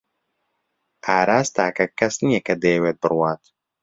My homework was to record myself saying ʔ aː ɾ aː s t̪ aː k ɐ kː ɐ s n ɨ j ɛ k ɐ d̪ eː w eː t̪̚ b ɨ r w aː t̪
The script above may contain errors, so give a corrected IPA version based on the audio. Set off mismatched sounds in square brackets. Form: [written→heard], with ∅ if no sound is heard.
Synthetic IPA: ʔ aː ɾ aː s t̪ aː k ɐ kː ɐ s n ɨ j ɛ k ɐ d̪ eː w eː t̪̚ b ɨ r w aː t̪